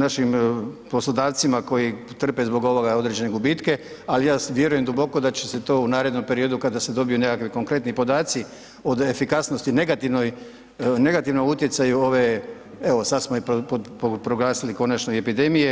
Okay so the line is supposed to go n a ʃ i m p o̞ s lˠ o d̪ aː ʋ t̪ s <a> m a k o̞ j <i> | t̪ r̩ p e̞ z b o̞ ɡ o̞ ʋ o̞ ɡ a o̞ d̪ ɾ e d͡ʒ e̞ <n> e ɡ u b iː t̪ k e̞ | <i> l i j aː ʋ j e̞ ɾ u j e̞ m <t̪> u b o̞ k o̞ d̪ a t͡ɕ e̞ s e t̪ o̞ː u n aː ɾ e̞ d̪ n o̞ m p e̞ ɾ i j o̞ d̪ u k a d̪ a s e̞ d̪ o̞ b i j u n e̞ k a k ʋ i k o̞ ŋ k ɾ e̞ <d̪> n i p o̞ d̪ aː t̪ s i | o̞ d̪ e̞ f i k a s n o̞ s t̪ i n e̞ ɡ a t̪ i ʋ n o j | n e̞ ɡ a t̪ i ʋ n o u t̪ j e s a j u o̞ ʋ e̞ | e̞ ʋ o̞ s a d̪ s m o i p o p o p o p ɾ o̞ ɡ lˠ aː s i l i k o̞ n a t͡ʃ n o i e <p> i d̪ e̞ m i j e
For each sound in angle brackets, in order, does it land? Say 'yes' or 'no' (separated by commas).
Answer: no, yes, yes, no, no, no, yes